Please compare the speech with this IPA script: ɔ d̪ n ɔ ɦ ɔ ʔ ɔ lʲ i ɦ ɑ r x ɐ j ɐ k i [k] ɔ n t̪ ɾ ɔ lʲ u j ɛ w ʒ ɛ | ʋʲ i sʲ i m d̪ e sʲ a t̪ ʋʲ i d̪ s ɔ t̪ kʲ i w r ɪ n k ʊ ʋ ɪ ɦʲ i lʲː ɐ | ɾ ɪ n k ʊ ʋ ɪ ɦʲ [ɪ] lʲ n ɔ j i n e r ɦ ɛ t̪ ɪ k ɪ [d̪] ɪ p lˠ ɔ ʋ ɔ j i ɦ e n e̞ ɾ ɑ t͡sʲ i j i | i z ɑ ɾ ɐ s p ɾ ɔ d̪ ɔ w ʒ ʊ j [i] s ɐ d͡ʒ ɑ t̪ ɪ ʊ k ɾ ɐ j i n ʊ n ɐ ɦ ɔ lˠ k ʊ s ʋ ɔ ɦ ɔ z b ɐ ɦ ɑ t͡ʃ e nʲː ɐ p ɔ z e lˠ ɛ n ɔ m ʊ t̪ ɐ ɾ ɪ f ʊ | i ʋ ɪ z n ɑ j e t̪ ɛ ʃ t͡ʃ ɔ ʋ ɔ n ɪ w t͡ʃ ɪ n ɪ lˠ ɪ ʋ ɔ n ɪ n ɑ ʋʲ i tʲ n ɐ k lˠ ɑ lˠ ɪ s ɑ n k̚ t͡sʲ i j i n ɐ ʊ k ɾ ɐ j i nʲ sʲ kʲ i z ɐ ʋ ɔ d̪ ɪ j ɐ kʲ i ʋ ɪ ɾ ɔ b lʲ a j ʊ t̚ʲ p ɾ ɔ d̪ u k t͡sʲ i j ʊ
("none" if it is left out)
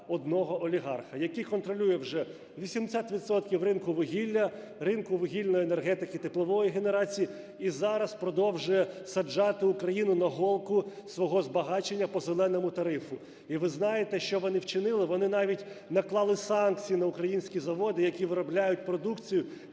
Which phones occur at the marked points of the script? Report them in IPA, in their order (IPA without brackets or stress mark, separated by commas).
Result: k, i, t̪, ɛ